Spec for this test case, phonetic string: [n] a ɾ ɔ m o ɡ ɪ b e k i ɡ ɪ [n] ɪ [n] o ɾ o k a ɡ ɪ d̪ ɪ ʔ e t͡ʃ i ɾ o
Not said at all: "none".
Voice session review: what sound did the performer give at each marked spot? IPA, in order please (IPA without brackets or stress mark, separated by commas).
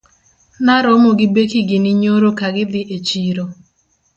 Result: n, n, ɲ